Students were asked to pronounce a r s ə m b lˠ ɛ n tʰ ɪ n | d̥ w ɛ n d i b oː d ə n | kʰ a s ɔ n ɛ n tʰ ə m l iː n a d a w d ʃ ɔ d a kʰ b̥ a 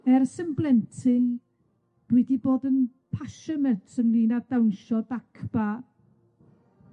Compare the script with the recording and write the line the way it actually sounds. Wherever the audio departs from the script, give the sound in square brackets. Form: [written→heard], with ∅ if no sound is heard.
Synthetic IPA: [a→ɛ] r s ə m b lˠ ɛ n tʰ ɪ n | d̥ w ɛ [n→∅] d i b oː d ə n | [kʰ→pʰ] a [s→ʃ] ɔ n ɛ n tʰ ə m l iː n a d a w [d→n] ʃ ɔ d a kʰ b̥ a